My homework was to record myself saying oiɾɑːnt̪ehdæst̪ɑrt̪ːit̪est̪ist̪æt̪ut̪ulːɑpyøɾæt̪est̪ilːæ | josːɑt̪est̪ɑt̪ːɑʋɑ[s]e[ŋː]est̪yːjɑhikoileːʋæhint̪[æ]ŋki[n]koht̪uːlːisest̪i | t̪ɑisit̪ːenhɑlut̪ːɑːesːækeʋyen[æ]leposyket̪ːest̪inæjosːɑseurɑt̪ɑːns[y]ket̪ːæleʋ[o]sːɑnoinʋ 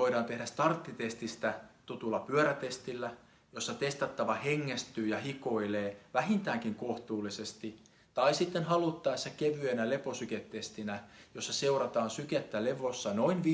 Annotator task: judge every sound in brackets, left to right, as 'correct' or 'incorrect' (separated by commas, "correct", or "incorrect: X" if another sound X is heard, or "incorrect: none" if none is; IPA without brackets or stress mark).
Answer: incorrect: h, correct, incorrect: æː, incorrect: ŋ, correct, correct, correct